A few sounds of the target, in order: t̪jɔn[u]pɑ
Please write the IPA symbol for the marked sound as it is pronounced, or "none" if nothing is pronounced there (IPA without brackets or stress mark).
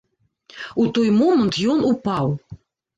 u